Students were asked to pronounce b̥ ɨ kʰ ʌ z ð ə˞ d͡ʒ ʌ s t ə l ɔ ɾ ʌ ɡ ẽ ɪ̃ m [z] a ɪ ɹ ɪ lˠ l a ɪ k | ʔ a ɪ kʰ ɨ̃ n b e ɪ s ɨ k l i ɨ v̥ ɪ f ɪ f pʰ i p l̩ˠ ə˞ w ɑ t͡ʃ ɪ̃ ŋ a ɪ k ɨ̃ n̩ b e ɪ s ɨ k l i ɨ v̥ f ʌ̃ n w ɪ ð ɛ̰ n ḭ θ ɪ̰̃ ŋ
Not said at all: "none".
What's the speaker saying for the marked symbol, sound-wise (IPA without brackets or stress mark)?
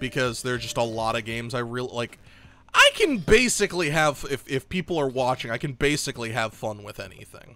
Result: z